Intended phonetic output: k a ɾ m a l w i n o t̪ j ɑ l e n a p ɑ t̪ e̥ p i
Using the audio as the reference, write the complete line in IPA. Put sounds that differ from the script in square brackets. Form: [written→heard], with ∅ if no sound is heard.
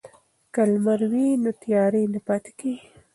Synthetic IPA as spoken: k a [ɾ→l] m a [l→ɾ] w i n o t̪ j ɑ [l→ɾ] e n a p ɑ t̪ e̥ [p→k] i